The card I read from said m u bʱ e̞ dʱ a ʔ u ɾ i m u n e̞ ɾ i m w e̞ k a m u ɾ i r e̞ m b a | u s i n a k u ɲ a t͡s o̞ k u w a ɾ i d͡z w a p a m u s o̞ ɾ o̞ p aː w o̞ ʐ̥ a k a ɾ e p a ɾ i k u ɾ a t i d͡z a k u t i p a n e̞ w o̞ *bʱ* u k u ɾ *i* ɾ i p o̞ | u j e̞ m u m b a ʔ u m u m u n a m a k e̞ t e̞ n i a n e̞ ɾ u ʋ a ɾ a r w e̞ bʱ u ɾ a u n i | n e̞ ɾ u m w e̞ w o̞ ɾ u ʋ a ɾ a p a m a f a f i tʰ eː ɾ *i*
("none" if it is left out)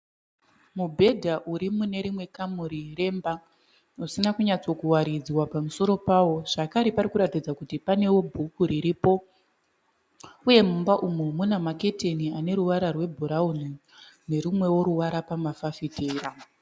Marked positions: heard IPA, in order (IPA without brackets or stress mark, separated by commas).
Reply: bʱ, i, a